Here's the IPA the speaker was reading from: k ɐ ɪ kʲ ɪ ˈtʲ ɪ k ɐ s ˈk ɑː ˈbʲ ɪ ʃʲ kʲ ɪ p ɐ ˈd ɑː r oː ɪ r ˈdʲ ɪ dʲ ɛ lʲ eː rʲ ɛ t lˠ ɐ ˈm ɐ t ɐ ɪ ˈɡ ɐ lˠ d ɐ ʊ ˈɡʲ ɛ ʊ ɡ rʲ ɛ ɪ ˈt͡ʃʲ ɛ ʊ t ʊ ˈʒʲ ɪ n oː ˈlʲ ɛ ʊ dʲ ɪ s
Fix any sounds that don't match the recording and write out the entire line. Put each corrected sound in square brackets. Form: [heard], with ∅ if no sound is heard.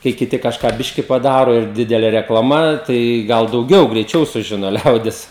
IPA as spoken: k ɐ ɪ kʲ ɪ ˈtʲ ɪ k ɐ [ʃ] ˈk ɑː ˈbʲ ɪ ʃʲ kʲ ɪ p ɐ ˈd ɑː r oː ɪ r ˈdʲ ɪ dʲ ɛ lʲ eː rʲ ɛ [k] lˠ ɐ ˈm ɐ t ɐ ɪ ˈɡ ɐ lˠ d ɐ ʊ ˈɡʲ ɛ ʊ ɡ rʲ ɛ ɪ ˈt͡ʃʲ ɛ ʊ [s] ʊ ˈʒʲ ɪ n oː ˈlʲ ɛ ʊ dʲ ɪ s